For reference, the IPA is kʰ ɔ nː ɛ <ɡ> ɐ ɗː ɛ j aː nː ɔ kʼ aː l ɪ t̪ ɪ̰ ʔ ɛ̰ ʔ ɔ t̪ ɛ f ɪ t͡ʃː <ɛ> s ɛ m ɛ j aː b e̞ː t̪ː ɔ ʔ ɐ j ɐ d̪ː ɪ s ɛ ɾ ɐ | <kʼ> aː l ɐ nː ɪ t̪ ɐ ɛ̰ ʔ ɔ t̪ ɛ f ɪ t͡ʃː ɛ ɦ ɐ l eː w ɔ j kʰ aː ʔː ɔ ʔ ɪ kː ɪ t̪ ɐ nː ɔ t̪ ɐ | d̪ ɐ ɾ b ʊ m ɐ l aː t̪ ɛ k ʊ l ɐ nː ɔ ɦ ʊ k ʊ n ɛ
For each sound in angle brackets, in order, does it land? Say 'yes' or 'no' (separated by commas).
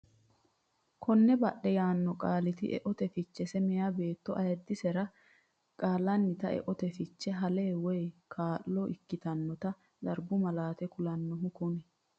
no, yes, yes